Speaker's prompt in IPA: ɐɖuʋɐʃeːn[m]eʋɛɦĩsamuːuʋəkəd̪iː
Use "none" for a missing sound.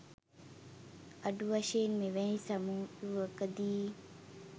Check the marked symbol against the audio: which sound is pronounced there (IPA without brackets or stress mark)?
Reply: m